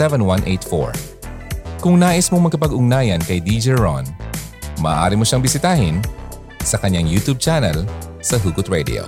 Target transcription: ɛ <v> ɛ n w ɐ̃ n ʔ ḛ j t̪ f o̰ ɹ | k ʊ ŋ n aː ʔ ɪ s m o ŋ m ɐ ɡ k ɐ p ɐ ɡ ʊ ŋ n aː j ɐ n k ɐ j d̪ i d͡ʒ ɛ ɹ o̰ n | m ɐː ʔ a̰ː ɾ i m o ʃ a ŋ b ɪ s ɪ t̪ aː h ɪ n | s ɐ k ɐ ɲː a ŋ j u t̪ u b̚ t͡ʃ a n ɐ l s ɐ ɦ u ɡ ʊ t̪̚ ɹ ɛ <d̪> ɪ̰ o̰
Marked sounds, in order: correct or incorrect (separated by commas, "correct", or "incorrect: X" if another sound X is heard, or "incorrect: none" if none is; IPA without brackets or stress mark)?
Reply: correct, correct